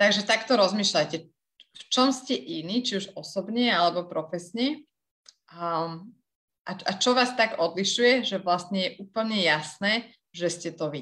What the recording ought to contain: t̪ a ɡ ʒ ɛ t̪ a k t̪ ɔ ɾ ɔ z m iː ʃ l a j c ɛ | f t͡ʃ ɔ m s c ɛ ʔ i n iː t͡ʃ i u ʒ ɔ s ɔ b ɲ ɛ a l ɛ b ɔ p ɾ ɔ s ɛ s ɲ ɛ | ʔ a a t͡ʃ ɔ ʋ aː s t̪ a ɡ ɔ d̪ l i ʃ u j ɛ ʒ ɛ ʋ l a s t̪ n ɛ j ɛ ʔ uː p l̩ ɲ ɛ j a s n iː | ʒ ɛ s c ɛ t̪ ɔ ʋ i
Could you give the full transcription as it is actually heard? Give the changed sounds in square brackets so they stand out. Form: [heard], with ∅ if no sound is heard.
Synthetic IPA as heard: t̪ a ɡ ʒ ɛ t̪ a k t̪ ɔ ɾ ɔ z m iː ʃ l a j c ɛ | f t͡ʃ ɔ m s c ɛ ʔ i n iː t͡ʃ i u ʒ ɔ s ɔ b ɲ ɛ a l ɛ b ɔ p ɾ ɔ [f] ɛ s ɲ ɛ | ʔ a a t͡ʃ ɔ ʋ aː s t̪ a ɡ ɔ d̪ l i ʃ u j ɛ ʒ ɛ ʋ l a s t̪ [ɲ] ɛ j ɛ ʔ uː p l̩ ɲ ɛ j a s n [ɛː] | ʒ ɛ s c ɛ t̪ ɔ ʋ i